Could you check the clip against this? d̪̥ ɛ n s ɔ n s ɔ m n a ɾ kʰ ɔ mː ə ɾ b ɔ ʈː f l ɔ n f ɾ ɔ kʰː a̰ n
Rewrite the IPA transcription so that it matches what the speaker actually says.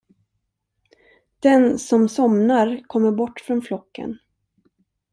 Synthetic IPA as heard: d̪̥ ɛ n s ɔ m s ɔ m n a ɾ kʰ ɔ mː ə ɾ b ɔ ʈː f ɾ ɔ n f l ɔ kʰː ə̰ n